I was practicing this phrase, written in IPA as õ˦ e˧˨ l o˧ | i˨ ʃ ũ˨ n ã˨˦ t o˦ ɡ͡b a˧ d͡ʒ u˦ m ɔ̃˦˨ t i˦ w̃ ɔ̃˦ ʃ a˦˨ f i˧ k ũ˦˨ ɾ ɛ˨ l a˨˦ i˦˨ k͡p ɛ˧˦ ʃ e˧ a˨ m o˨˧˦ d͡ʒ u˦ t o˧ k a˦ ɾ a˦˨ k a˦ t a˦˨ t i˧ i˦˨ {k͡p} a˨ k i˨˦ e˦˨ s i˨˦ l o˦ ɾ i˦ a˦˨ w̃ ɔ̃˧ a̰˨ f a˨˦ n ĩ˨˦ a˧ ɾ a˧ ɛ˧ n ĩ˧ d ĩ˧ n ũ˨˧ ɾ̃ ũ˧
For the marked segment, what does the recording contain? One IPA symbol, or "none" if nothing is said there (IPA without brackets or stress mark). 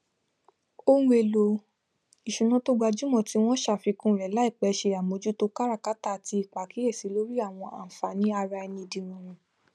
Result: k͡p